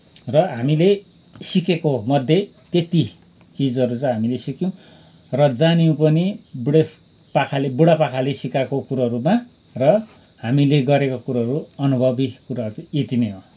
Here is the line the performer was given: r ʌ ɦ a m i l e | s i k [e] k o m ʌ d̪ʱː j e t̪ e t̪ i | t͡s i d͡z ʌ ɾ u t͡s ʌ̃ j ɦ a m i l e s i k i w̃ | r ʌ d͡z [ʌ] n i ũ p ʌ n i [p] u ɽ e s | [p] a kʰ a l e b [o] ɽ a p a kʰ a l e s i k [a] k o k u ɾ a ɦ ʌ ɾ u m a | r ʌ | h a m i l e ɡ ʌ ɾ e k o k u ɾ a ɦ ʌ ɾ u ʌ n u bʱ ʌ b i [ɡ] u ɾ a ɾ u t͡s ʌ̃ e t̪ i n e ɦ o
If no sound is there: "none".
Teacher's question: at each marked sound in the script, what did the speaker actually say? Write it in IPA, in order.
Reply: e, a, b, p, u, a, k

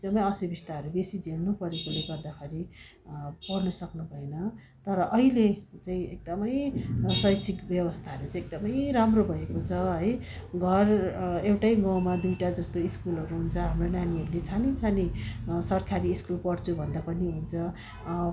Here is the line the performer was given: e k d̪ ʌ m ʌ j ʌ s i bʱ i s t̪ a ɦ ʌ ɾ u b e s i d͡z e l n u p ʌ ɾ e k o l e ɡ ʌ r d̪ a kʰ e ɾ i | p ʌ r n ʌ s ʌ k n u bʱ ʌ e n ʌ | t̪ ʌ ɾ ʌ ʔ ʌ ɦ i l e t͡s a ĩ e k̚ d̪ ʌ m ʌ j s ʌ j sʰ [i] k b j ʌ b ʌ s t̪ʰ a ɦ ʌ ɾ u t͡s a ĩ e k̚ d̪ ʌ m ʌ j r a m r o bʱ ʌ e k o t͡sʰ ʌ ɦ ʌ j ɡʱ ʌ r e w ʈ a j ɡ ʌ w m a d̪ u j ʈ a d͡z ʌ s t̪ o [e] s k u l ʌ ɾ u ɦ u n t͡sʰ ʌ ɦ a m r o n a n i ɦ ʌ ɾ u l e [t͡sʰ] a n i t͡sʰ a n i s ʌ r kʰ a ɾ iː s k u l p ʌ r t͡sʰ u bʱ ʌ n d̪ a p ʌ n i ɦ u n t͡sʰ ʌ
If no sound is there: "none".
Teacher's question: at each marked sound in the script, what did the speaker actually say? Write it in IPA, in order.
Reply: i, i, t͡sʰ

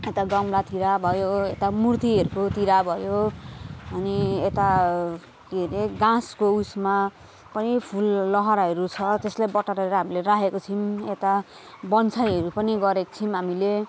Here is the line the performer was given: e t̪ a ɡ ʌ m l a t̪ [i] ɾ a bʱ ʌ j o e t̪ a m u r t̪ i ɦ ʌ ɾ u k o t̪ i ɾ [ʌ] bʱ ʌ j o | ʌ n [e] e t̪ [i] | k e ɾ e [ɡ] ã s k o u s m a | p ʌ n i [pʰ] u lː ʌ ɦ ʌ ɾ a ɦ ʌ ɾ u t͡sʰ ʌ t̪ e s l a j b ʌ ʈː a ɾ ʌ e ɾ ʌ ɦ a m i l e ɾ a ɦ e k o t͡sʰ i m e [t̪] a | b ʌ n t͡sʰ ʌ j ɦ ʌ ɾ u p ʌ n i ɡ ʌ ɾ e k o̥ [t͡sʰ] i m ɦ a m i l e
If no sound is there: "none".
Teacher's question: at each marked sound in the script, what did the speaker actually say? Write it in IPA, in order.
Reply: i, a, i, a, ɡ, pʰ, t̪, t͡sʰ

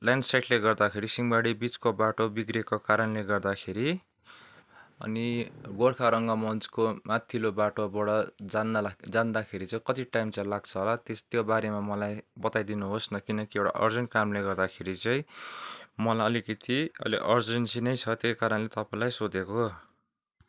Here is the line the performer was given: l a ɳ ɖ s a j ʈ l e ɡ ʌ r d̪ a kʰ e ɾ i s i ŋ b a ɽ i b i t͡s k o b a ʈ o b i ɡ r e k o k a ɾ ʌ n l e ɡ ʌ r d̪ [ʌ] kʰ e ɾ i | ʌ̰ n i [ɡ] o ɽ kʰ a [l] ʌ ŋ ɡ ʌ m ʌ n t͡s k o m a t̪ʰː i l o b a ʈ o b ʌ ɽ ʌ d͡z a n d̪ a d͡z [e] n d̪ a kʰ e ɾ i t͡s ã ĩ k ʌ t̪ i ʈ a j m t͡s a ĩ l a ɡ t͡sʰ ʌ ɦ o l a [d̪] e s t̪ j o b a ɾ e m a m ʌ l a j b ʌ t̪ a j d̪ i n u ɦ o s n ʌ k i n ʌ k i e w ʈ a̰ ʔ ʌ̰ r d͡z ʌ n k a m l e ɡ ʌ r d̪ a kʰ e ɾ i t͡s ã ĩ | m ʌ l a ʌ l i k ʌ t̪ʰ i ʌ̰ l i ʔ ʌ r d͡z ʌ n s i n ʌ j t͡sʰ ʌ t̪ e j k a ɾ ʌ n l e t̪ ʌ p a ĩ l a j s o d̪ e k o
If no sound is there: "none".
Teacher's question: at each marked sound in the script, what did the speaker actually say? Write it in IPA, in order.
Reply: a, ɡ, ɾ, a, t̪

